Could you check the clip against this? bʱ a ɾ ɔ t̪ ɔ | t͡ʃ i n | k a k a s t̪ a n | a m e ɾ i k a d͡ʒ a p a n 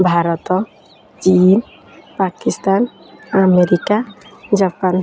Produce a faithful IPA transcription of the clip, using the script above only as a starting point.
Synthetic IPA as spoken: bʱ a ɾ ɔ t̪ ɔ | t͡ʃ i n | p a k i s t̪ a n | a m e ɾ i k a d͡ʒ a p a n